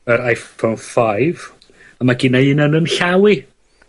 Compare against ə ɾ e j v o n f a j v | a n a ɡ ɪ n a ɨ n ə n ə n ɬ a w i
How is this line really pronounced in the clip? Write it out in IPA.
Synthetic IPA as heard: ə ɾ a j f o n f a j v | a m a ɡ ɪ n a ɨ n ə n ə n ɬ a w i